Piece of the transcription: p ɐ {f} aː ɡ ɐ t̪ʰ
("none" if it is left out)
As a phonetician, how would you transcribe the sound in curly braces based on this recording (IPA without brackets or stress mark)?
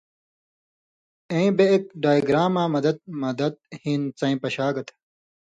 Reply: ɕ